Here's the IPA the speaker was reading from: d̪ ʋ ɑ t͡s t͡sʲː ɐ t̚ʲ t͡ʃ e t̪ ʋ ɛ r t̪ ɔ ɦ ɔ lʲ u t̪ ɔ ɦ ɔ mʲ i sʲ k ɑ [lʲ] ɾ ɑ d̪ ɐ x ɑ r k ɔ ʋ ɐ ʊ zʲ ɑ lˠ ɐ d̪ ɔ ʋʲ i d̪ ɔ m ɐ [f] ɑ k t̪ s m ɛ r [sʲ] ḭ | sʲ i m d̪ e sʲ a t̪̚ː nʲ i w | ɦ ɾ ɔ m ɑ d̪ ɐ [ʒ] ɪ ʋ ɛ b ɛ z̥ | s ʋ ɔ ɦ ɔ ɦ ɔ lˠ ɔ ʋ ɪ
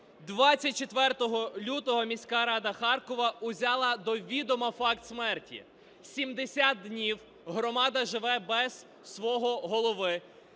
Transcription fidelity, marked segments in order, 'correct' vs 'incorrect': incorrect: none, correct, incorrect: tʲ, correct

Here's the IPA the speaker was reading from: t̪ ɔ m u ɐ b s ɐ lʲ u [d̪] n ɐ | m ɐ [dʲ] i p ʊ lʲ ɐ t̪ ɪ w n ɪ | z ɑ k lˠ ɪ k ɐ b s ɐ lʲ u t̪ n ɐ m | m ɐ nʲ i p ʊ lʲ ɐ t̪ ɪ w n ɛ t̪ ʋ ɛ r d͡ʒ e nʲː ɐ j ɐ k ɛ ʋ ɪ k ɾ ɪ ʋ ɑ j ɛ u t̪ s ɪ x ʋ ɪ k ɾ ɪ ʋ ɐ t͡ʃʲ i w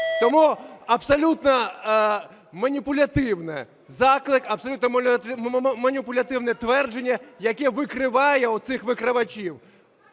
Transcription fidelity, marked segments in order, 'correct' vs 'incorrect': incorrect: t̪, incorrect: nʲ

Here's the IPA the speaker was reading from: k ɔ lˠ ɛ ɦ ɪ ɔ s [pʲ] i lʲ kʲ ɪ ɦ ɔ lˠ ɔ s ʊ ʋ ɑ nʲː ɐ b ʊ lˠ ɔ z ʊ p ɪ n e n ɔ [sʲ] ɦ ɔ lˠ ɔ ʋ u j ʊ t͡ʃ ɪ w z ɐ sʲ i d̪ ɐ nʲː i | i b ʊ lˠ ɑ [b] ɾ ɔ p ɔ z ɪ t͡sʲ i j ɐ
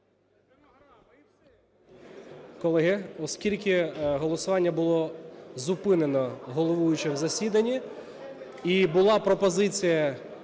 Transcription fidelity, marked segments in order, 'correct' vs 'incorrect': incorrect: kʲ, incorrect: none, incorrect: p

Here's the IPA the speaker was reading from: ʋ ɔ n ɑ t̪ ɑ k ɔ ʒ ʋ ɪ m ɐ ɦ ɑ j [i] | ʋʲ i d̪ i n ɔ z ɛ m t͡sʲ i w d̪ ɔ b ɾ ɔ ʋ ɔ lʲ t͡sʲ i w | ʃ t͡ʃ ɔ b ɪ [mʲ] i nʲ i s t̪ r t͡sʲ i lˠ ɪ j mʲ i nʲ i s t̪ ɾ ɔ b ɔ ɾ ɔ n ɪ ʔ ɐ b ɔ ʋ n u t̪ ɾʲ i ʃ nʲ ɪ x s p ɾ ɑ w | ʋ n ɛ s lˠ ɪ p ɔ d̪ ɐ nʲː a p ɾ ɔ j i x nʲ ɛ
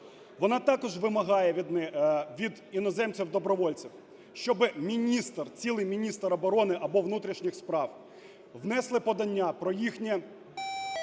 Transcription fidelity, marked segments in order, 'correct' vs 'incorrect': incorrect: ɛ, correct

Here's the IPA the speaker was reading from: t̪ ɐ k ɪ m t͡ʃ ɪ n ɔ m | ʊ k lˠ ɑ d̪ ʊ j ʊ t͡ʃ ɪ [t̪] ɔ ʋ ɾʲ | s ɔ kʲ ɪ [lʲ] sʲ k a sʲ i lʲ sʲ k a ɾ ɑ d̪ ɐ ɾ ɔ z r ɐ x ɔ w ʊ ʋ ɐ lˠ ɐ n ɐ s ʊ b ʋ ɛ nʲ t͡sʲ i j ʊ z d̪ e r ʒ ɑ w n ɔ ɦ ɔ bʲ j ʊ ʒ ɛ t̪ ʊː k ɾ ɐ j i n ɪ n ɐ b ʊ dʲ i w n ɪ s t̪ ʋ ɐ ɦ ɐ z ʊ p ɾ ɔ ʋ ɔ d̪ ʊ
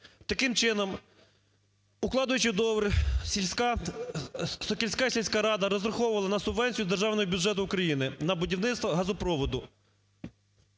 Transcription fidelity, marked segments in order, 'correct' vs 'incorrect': incorrect: d̪, correct

